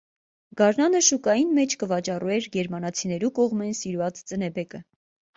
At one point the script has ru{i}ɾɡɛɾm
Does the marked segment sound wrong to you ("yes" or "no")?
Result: yes